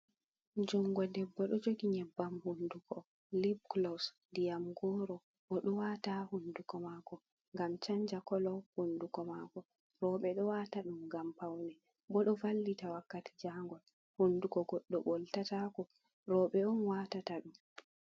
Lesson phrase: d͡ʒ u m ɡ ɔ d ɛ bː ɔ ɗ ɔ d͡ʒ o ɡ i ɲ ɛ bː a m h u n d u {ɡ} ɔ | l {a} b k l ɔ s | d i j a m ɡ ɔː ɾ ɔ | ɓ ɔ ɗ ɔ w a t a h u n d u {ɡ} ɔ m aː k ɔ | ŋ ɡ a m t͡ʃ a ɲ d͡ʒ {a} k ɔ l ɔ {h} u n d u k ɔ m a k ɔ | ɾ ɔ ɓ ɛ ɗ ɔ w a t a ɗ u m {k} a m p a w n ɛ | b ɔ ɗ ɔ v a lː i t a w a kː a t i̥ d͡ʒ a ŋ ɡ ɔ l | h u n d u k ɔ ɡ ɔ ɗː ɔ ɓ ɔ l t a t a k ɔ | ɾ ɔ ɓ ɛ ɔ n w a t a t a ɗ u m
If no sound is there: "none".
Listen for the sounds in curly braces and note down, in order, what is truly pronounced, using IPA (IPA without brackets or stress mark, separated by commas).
k, i, k, a, h, ɡ